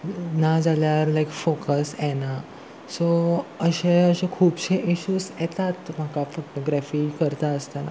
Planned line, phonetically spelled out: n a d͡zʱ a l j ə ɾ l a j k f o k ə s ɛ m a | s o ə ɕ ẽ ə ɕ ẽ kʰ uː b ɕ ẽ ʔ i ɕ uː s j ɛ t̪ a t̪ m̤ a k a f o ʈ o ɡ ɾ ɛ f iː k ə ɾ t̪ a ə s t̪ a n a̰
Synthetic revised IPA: n a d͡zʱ a l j a ɾ l a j k f o k ə s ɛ n a | s o ə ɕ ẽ ə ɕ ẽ kʰ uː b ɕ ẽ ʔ i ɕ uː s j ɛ t̪ a t̪ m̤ a k a f o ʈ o ɡ ɾ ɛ f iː k ə ɾ t̪ a ə s t̪ a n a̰

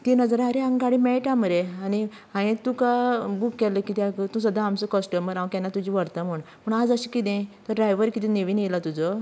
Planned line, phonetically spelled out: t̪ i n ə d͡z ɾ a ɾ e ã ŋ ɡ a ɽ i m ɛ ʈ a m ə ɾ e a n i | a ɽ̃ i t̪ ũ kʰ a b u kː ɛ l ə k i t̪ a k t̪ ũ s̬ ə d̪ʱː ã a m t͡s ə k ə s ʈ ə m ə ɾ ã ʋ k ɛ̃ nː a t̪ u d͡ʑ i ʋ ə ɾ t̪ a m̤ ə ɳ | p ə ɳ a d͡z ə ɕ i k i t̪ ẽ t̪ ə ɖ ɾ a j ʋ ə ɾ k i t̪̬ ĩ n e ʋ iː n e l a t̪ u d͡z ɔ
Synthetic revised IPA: t̪ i n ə d͡z ɾ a ɾ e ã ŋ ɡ a ɽ i m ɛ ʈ a m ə ɾ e a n i | a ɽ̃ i t̪ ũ k a b u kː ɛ l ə k i t̪ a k t̪ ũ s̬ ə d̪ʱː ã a m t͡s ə k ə s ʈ ə m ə ɾ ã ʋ k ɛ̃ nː a t̪ u d͡ʑ i ʋ ə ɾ t̪ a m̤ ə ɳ | p ə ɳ a d͡z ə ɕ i k i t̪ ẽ t̪ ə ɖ ɾ a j ʋ ə ɾ k i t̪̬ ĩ n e ʋ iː n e l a t̪ u d͡z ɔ

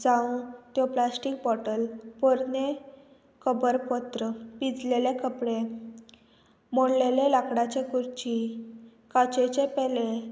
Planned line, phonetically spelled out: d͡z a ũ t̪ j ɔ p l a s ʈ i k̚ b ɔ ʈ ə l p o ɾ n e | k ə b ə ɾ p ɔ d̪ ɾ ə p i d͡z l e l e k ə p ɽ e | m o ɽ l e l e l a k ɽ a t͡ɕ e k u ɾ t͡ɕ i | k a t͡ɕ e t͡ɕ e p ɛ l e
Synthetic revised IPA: d͡z a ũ t̪ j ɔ p l a s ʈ i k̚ b ɔ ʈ ə l p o ɾ n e | k ə b ə ɾ p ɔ t̪ ɾ ə p i d͡z l e l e k ə p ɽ e | m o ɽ l e l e l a k ɽ a t͡ɕ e k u ɾ t͡ɕ i | k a t͡ɕ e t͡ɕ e p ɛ l e

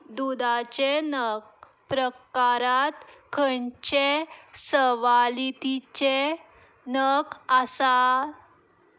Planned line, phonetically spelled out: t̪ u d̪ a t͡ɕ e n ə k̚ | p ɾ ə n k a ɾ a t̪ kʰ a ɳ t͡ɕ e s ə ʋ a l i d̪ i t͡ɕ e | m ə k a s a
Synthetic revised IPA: d̪ u d̪ a t͡ɕ e n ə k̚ | p ɾ ə k a ɾ a t̪ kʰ ə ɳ t͡ɕ e s ə ʋ a l i t̪ i t͡ɕ e | n ə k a s a

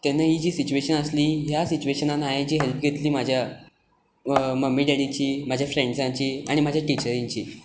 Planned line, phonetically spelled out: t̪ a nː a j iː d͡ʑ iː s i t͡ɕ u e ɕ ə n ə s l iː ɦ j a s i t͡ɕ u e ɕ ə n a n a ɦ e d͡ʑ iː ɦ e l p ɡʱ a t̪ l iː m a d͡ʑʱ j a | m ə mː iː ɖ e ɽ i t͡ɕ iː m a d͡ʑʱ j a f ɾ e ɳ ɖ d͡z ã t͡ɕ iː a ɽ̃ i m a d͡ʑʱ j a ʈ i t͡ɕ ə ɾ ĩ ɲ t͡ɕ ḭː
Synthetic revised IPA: t̪ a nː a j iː d͡ʑ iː s i t͡ɕ u e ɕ ə n ə s l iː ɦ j a s i t͡ɕ u e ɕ ə n a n a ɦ e d͡ʑ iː ɦ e l p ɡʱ e t̪ l iː m a d͡ʑʱ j a | m ə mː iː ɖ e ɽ i t͡ɕ iː m a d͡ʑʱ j a f ɾ e ɳ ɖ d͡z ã t͡ɕ iː a ɽ̃ i m a d͡ʑʱ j a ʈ i t͡ɕ ə ɾ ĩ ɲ t͡ɕ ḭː

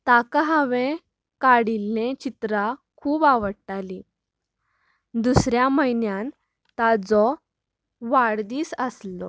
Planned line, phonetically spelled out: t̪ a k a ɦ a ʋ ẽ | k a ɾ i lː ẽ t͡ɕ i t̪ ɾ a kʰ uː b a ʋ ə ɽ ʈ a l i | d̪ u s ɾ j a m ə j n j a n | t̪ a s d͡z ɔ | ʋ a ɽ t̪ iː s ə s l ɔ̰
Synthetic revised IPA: t̪ a k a ɦ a ʋ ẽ | k a ɽ i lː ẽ t͡ɕ i t̪ ɾ a kʰ uː b a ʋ ə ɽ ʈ a l i | d̪ u s ɾ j a m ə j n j a n | t̪ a d͡z ɔ | ʋ a ɽ d̪ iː s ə s l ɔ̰

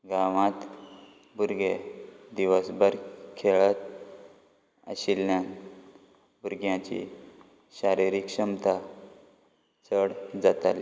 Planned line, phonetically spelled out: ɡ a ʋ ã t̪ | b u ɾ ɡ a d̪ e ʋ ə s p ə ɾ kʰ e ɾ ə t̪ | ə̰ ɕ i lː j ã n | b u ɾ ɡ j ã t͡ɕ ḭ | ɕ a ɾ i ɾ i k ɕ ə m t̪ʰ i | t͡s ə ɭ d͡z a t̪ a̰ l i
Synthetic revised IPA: ɡ a ʋ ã t̪ | b u ɾ ɡ e d̪ i ʋ ə s b ə ɾ kʰ e ɭ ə t̪ | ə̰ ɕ i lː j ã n | b u ɾ ɡ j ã t͡ɕ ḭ | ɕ a ɾ i ɾ i k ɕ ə m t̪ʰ a | t͡s ə ɽ d͡z a t̪ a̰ l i

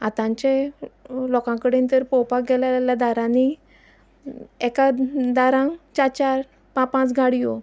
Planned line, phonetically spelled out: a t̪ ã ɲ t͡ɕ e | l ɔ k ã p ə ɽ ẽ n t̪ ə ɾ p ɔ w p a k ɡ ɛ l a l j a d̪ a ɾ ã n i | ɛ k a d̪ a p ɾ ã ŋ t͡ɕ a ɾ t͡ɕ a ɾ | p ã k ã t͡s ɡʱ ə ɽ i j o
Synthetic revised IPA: a t̪ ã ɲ t͡ɕ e | l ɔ k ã k ə ɽ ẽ n t̪ ə ɾ p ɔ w p a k ɡ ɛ l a l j a d̪ a ɾ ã n i | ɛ k a d̪ a ɾ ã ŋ t͡ɕ a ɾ t͡ɕ a ɾ | p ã p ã t͡s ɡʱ a ɽ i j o

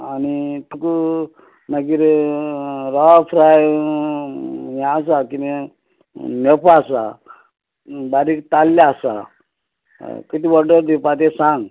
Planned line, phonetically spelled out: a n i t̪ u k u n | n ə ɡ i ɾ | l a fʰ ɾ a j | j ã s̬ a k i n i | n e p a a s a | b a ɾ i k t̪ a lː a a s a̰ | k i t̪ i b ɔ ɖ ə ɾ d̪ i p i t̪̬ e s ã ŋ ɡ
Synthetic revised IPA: a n i t̪ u k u | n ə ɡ i ɾ | ɾ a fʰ ɾ a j | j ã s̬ a k i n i | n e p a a s a | b a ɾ i k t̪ a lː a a s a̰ | k i t̪ i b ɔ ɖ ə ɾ d̪ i p a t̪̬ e s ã ŋ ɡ

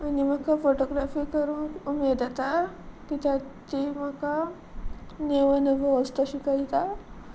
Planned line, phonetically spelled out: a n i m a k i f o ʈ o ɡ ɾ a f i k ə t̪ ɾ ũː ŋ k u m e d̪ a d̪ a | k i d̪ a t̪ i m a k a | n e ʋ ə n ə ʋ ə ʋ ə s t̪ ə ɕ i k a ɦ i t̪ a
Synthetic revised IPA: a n i m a k a f o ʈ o ɡ ɾ a f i k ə ɾ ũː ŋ k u m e d̪ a t̪ a | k i t̪ a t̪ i m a k a | n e ʋ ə n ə ʋ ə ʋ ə s t̪ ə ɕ i k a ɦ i t̪ a

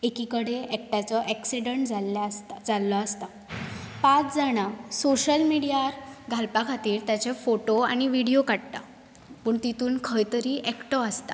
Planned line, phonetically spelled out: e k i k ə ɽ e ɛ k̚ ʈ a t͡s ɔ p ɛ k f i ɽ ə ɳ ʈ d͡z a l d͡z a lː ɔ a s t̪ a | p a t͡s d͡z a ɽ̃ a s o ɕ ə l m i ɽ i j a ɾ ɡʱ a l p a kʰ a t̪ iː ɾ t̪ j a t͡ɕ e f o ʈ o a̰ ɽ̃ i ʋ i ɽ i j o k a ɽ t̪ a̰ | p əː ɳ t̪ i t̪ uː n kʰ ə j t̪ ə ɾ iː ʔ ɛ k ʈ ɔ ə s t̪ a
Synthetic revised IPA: e k i k ə ɽ e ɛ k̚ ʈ a t͡s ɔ ʔ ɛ k s i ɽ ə ɳ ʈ d͡z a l d͡z a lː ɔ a s t̪ a | p a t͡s d͡z a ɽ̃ a s o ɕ ə l m i ɽ i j a ɾ ɡʱ a l p a kʰ a t̪ iː ɾ t̪ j a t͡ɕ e f o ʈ o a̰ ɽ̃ i ʋ i ɽ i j o k a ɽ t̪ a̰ | p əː ɳ t̪ i t̪ uː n kʰ ə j t̪ ə ɾ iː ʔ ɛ k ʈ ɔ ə s t̪ a

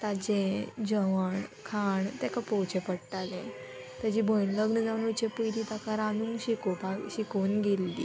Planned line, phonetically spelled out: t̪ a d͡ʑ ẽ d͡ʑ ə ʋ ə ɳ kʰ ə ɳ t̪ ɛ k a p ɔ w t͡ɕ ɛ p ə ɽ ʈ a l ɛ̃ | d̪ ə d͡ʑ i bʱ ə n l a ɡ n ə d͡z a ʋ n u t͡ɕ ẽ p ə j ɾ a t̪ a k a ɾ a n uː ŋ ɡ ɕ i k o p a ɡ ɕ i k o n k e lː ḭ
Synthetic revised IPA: t̪ a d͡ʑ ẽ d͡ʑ ə ʋ ə ɳ kʰ a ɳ t̪ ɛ k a p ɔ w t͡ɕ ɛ p ə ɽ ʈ a l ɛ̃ | t̪ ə d͡ʑ i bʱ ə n l ə ɡ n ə d͡z a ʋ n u t͡ɕ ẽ p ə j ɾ i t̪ a k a ɾ a n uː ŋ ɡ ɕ i k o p a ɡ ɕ i k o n ɡ e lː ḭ

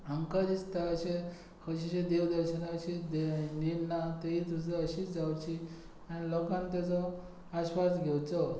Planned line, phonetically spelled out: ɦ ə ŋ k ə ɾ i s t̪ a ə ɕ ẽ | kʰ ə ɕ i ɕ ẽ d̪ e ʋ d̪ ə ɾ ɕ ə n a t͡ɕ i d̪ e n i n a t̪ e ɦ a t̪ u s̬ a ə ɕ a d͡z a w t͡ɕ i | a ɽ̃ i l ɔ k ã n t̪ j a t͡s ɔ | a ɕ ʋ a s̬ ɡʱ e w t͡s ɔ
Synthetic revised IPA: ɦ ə ŋ k a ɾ i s t̪ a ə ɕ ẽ | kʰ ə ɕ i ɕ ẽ d̪ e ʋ d̪ ə ɾ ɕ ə n a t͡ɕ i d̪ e n i n a t̪ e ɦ i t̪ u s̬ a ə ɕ i d͡z a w t͡ɕ i | a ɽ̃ i l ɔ k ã n t̪ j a t͡s ɔ | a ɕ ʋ a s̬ ɡʱ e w t͡s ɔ

